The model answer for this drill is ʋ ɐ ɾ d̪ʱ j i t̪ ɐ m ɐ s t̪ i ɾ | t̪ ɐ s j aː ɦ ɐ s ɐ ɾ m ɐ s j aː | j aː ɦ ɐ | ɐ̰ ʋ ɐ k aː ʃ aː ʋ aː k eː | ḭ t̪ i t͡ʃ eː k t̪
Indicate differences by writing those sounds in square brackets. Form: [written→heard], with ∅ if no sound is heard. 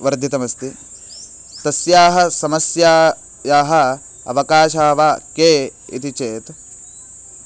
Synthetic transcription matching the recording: ʋ ɐ ɾ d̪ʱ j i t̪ ɐ m ɐ s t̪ i [ɾ→∅] | t̪ ɐ s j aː ɦ ɐ s ɐ [ɾ→∅] m ɐ s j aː | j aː ɦ ɐ | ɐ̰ ʋ ɐ k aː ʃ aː ʋ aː k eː | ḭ t̪ i t͡ʃ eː [k→∅] t̪